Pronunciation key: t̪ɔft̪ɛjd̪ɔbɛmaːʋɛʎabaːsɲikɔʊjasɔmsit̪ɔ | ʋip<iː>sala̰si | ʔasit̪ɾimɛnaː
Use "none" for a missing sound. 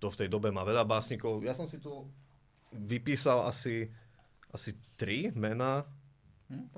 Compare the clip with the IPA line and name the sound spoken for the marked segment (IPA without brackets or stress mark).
iː